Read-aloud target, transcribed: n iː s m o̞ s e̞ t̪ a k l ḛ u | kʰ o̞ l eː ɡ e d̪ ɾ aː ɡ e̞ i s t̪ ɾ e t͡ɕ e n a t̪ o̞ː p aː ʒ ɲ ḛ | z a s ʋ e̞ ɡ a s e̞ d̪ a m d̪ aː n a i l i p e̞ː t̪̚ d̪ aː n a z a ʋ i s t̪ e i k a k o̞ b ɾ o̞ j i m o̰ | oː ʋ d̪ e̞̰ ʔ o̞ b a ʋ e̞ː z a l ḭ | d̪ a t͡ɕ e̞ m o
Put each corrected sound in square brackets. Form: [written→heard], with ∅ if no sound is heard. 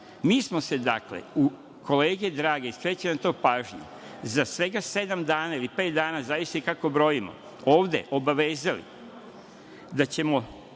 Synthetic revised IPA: [n→m] iː s m o̞ s e̞ [t̪→d̪] a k l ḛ u | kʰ o̞ l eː ɡ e d̪ ɾ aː ɡ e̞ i s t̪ ɾ e t͡ɕ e n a t̪ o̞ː p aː ʒ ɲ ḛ | z a s ʋ e̞ ɡ a s e̞ d̪ a m d̪ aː n a i l i p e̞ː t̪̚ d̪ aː n a z a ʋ i s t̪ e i k a k o̞ b ɾ o̞ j i m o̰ | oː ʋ d̪ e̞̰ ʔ o̞ b a ʋ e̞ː z a l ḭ | d̪ a t͡ɕ e̞ m o